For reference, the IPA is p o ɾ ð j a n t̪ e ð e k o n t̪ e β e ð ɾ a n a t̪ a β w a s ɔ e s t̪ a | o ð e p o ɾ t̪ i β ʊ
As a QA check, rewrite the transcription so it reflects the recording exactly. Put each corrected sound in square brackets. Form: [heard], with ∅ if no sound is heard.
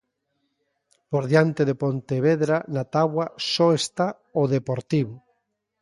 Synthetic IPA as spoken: p o ɾ ð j a n t̪ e ð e [p] o n t̪ e β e ð ɾ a n a t̪ a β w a s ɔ e s t̪ a | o ð e p o ɾ t̪ i β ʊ

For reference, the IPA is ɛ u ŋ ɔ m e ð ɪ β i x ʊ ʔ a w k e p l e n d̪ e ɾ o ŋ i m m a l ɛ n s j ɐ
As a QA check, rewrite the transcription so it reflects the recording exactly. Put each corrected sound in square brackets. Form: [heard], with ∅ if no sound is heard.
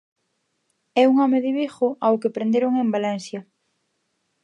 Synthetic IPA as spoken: ɛ u ŋ ɔ m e ð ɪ β i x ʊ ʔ a w k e p [ɾ] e n d̪ e ɾ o ŋ [e] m [b] a l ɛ n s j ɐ

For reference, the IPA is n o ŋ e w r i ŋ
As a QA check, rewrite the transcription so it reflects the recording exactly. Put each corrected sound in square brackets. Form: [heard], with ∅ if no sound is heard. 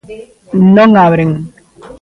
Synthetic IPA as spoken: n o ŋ [a] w [ɾ] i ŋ

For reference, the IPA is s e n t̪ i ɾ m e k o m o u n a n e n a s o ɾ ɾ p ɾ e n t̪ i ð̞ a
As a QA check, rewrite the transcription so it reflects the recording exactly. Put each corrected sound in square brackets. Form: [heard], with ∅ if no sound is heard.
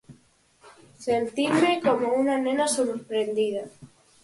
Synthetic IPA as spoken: s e n t̪ i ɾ m e k o m o u n a n e n a s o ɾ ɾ p ɾ e n [d̪] i ð̞ a

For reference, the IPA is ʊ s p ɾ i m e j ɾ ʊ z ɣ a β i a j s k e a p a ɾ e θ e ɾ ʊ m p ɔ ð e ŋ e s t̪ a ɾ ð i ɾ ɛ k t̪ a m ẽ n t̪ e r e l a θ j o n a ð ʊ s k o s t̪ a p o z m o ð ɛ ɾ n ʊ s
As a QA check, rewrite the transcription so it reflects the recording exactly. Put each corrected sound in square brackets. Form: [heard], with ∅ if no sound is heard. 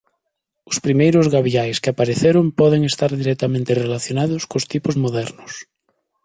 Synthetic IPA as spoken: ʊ s p ɾ i m e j ɾ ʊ z ɣ a β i a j s k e a p a ɾ e θ e ɾ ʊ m p ɔ ð e ŋ e s t̪ a ɾ ð i ɾ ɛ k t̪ a m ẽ n t̪ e r e l a θ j o n a ð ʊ s k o s t̪ [i] p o z m o ð ɛ ɾ n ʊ s

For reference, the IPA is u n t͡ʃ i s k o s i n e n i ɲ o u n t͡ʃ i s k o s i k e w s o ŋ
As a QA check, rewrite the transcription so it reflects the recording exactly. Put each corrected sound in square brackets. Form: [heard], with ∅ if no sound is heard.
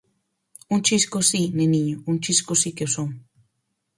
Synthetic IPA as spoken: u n t͡ʃ i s k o s i n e n i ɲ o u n t͡ʃ i s k o s i k e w s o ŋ

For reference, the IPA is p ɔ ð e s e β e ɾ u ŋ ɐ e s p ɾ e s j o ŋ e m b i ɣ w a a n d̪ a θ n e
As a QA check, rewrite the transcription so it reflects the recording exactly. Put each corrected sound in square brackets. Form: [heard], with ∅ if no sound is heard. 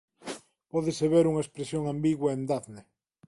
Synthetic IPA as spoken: p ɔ ð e s e β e ɾ u ŋ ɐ e s p ɾ e s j o ŋ [a] m b i ɣ w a [e] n d̪ a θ n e

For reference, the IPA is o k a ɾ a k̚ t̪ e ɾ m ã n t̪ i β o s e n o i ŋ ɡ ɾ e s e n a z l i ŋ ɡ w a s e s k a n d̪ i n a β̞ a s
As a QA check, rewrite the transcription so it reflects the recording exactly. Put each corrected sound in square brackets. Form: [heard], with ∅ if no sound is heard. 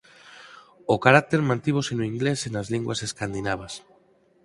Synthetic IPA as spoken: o k a ɾ a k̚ t̪ e ɾ m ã n t̪ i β o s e n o i ŋ ɡ [l] e s e n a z l i ŋ ɡ w a s e s k a n d̪ i n a β̞ a s

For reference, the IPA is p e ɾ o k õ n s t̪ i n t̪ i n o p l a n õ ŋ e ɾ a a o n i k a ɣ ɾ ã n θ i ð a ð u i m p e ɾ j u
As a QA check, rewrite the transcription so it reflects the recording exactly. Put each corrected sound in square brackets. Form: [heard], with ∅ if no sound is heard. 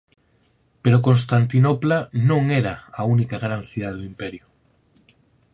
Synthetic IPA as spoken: p e ɾ o k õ n s t̪ [a] n t̪ i n o p l a n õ ŋ e ɾ a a [u] n i k a ɣ ɾ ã n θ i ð a ð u i m p e ɾ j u

